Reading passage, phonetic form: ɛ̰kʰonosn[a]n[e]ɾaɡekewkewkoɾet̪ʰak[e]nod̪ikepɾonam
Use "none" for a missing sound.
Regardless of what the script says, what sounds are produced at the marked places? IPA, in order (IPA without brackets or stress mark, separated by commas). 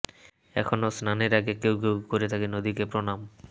a, e, e